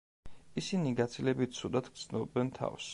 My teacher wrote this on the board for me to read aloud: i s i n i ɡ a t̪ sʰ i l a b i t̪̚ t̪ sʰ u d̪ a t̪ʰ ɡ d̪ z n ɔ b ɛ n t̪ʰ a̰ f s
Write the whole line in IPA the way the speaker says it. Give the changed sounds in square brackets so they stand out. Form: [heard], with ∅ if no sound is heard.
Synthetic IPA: i s i n i ɡ a t̪ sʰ i l [ɛ] b i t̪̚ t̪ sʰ u d̪ a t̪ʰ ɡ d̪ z n ɔ b ɛ n t̪ʰ a̰ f s